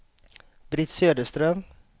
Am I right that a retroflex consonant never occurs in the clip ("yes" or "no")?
yes